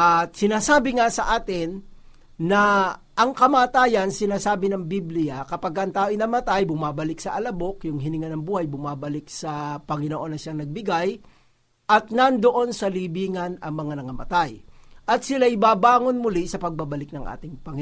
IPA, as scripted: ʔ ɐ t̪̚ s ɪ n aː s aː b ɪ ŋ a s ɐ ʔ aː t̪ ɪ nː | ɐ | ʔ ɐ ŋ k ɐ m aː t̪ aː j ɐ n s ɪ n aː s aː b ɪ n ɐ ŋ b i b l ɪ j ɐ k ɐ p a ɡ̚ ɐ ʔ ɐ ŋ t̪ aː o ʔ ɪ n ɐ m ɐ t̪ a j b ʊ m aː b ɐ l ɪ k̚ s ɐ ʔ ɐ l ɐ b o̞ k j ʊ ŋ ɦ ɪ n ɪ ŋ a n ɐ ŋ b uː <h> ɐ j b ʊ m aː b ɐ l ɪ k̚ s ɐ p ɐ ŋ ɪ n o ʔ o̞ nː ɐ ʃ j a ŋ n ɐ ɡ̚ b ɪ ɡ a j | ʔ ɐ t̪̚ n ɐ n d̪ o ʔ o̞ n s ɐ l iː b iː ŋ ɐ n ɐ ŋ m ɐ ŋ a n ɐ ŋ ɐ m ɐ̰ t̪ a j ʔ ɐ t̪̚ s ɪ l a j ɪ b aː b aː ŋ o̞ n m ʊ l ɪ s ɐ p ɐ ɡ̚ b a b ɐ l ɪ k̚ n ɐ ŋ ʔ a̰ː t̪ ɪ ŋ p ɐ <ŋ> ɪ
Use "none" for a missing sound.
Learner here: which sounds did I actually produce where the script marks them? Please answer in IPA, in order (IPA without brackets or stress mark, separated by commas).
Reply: h, ŋ